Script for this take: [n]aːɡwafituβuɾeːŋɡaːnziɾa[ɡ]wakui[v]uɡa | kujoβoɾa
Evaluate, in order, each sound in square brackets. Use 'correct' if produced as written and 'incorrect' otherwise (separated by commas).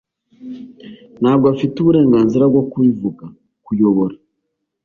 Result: correct, correct, correct